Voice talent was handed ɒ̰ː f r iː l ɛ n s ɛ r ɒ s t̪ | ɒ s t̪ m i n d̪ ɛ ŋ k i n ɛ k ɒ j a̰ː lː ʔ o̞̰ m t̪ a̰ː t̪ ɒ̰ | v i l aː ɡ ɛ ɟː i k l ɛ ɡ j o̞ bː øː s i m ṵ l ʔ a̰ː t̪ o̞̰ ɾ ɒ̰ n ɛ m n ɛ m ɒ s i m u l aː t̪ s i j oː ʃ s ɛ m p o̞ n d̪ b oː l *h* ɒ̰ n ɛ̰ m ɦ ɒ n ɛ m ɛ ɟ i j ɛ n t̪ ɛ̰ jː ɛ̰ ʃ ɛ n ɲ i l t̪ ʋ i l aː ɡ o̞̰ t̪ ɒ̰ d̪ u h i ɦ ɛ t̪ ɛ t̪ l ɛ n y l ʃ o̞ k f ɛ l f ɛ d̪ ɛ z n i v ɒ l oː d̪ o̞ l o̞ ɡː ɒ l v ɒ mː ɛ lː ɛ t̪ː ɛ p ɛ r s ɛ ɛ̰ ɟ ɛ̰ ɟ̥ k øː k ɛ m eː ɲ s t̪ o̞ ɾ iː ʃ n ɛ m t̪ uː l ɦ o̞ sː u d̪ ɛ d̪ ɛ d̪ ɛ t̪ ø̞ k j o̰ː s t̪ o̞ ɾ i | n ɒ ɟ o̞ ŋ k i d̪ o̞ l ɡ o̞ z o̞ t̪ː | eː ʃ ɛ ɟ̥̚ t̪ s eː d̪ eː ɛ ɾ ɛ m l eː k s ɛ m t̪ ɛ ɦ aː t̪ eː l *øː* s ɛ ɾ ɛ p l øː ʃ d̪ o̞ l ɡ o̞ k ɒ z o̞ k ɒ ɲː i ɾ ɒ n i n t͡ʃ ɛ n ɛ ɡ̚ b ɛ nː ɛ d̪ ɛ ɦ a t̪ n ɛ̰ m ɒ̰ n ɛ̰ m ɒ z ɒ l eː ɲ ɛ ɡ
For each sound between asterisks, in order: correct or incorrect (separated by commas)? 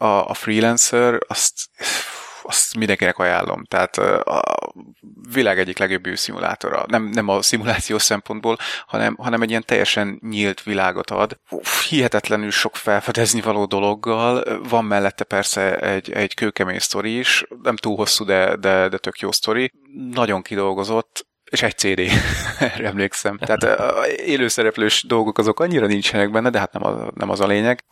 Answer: correct, correct